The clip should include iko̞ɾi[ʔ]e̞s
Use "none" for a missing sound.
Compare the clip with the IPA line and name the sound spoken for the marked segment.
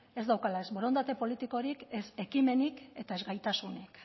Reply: k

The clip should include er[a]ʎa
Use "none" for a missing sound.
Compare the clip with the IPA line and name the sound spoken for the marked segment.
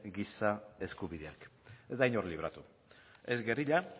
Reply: i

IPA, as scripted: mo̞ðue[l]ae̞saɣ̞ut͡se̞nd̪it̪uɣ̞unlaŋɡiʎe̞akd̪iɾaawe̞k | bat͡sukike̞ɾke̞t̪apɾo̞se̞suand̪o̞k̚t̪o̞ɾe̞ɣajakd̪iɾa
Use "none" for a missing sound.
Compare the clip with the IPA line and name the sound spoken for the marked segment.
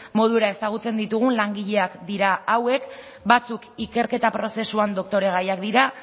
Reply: ɾ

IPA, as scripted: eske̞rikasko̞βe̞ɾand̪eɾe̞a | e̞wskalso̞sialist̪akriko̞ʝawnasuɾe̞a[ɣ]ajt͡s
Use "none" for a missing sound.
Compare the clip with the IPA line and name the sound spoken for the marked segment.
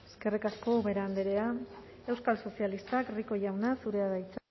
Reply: ð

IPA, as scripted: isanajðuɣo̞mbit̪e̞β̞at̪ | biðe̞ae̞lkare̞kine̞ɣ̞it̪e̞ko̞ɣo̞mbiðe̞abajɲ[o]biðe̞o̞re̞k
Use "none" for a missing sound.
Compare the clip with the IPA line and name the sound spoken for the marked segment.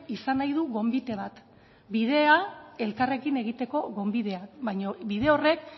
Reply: o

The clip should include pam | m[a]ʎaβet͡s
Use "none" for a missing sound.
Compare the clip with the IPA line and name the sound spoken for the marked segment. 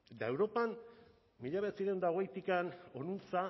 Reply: i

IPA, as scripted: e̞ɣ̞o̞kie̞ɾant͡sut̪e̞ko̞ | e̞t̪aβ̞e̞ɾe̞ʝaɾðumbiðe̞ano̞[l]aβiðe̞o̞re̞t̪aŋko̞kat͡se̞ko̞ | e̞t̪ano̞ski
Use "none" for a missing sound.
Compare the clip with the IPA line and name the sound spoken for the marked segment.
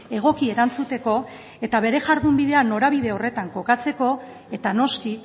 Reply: ɾ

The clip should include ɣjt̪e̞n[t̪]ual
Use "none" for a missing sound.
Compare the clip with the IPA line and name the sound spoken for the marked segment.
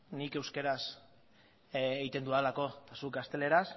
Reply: d̪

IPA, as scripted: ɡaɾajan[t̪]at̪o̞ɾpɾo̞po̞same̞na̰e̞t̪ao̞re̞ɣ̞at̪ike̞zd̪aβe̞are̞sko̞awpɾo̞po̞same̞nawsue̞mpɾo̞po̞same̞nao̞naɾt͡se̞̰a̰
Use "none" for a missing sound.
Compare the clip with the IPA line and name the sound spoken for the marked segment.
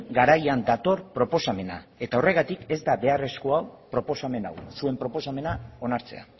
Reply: d̪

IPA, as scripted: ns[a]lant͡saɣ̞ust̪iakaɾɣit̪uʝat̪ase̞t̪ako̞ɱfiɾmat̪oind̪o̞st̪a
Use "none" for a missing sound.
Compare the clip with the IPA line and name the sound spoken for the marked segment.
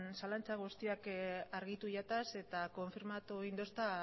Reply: a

